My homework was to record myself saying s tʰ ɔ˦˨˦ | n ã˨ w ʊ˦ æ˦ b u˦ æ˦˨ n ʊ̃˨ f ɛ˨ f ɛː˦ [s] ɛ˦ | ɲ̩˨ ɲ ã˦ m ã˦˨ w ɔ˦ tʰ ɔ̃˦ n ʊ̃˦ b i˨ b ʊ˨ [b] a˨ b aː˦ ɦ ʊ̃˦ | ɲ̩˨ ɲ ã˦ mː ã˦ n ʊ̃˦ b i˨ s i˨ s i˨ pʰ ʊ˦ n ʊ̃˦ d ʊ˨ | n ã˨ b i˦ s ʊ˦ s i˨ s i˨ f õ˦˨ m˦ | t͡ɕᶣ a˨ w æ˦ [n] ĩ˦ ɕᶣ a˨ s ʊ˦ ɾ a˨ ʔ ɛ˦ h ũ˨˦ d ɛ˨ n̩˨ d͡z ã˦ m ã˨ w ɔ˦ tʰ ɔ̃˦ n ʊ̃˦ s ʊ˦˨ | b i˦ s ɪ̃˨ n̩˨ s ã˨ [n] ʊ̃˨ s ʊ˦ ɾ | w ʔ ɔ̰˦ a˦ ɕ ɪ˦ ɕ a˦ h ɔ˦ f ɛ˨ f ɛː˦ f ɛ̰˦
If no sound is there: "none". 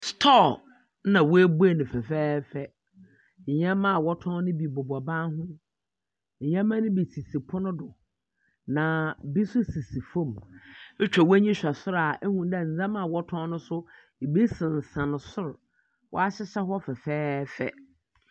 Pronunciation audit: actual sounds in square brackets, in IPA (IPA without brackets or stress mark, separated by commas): f, b, ɲ, n